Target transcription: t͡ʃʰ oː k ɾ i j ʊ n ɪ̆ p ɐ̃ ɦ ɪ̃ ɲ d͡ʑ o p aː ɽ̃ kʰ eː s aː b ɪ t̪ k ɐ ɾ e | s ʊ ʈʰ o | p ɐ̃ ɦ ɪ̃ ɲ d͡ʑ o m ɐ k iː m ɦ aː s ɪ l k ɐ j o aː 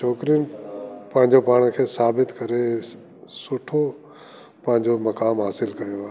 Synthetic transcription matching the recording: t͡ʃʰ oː k ɾ i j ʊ n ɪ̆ p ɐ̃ ɦ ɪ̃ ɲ d͡ʑ o p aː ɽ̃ kʰ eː s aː b ɪ t̪ k ɐ ɾ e | s ʊ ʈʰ o | p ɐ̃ ɦ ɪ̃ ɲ d͡ʑ o m ɐ k aː m ɦ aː s ɪ l k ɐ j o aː